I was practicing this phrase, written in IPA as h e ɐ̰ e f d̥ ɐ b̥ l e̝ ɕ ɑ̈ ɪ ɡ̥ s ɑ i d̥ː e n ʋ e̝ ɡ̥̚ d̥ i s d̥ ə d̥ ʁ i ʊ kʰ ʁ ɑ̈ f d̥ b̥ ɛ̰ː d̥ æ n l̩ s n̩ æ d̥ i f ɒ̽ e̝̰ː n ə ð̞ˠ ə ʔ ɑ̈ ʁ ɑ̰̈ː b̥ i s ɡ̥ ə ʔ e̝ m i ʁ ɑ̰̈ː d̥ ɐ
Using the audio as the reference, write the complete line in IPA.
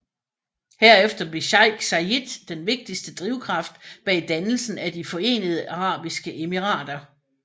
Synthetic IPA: h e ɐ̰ e f d̥ ɐ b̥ l e̝ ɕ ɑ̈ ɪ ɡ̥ s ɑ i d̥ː e n ʋ e̝ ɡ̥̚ d̥ i s d̥ ə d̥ ʁ i ʊ kʰ ʁ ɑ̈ f d̥ b̥ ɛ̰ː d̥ æ n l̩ s n̩ æ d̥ i f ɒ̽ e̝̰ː n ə ð̞ˠ ə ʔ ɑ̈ ʁ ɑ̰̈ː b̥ i s ɡ̥ ə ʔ e̝ m i ʁ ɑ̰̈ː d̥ ɐ

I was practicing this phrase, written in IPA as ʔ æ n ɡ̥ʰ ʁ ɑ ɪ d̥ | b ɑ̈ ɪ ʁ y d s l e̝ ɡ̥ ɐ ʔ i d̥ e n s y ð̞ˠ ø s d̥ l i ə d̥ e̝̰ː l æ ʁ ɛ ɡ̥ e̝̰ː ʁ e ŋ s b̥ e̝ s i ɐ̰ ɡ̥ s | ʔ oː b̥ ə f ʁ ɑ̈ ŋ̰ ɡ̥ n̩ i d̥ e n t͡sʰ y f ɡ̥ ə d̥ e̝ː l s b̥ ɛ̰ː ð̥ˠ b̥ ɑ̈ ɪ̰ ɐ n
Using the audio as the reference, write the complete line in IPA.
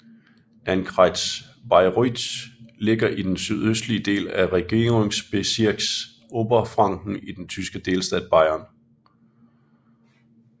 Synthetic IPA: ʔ æ n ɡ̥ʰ ʁ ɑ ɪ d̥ | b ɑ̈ ɪ ʁ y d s l e̝ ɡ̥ ɐ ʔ i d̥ e n s y ð̞ˠ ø s d̥ l i ə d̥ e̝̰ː l æ ʁ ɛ ɡ̥ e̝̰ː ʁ e ŋ s b̥ e̝ s i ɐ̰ ɡ̥ s | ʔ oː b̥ ɐ f ʁ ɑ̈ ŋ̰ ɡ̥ n̩ i d̥ e n t͡sʰ y s ɡ̥ ə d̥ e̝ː l s d̥ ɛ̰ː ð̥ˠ b̥ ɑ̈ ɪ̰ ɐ n

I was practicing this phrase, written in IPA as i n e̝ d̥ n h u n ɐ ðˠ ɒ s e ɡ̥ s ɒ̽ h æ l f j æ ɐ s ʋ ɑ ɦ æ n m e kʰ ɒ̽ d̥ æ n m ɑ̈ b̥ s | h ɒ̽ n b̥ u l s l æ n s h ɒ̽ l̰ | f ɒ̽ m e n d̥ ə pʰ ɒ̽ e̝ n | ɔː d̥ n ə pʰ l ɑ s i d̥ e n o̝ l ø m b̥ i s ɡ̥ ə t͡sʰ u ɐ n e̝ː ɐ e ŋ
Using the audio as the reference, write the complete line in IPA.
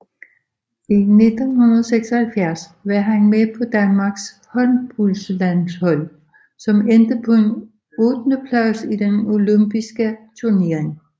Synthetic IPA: i n e̝ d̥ n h u n ɐ ðˠ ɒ s e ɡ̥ s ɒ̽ h æ l f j æ ɐ s ʋ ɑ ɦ æ n m e pʰ ɒ̽ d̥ æ n m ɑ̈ ɡ̥ s | h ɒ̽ n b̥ u l s l æ n s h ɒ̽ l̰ | s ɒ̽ m e n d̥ ə pʰ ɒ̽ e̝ n | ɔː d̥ n ə pʰ l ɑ s i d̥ e n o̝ l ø m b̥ i s ɡ̥ ə t͡sʰ u ɐ n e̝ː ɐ e ŋ

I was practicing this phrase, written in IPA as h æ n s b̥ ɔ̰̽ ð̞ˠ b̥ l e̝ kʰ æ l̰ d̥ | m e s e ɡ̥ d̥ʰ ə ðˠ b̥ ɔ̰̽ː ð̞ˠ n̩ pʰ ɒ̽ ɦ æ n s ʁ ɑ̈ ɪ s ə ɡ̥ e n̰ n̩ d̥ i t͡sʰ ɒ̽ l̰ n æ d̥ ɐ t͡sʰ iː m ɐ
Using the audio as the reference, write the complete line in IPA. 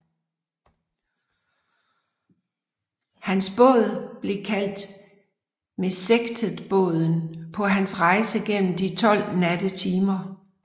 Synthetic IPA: h æ n s b̥ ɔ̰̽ ð̞ˠ b̥ l e̝ kʰ æ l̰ d̥ | m e s e ɡ̥ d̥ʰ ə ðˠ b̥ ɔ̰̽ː ð̞ˠ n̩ pʰ ɒ̽ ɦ æ n s ʁ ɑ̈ ɪ s ə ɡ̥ e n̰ m̩ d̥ i t͡sʰ ɒ̽ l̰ n æ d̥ ə t͡sʰ iː m ɐ

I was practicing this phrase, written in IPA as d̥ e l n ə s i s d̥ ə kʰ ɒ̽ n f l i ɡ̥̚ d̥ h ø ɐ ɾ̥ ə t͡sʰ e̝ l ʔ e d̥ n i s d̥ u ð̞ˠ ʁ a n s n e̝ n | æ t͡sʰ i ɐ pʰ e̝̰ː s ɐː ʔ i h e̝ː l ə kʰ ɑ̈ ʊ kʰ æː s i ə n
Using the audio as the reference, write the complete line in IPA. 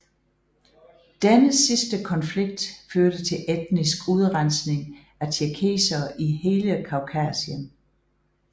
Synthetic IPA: d̥ e n ə s i s d̥ ə kʰ ɒ̽ n f l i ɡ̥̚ d̥ f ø ɐ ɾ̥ ə t͡sʰ e̝ l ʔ e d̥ n i s ɡ̥ u ð̞ˠ ʁ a n s n e̝ ŋ | æ t͡sʰ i ɐ kʰ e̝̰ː s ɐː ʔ i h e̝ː l ə kʰ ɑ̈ ʊ kʰ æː s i ə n

